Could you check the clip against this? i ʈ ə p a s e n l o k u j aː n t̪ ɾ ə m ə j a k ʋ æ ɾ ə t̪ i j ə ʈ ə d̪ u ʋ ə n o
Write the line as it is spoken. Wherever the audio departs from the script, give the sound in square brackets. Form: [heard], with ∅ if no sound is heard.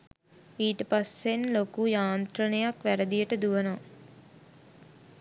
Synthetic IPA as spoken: [iː] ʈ ə p a s e n l o k u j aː n t̪ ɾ ə [n] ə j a k ʋ æ ɾ ə [d̪] i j ə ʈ ə d̪ u ʋ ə n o

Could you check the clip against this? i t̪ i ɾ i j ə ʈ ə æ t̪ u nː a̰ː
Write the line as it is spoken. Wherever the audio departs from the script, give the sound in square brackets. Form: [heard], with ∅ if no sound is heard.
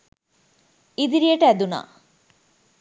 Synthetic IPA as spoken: i [d̪] i ɾ i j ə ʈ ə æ [d̪] u [n] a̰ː

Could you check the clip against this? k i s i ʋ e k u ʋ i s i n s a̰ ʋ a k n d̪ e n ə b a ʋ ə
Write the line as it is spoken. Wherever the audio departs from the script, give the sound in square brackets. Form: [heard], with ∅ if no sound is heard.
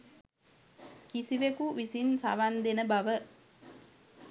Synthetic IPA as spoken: k i s i ʋ e k u ʋ i s i n s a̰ ʋ a [∅] n d̪ e n ə b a ʋ ə

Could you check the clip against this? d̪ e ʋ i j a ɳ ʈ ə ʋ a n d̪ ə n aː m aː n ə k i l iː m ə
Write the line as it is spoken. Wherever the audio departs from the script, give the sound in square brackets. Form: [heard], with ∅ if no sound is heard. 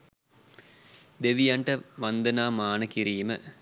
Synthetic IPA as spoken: d̪ e ʋ i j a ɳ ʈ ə ʋ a n d̪ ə n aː m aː n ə k i [ɾ] iː m ə

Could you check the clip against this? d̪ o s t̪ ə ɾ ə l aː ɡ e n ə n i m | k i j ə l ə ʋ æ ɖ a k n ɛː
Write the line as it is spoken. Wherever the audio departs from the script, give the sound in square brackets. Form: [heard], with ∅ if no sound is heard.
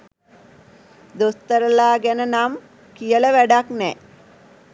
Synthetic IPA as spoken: d̪ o s t̪ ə ɾ ə l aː ɡ [æ] n ə n [a] m | k i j ə l ə ʋ æ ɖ a k n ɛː

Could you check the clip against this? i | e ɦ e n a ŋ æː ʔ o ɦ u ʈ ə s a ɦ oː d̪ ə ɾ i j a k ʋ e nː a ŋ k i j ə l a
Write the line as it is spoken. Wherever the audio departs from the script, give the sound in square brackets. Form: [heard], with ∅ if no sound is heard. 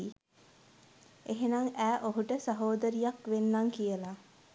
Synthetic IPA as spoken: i | e ɦ e n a ŋ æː ʔ o ɦ u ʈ ə s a ɦ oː d̪ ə ɾ i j a k ʋ e nː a ŋ k i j ə l a

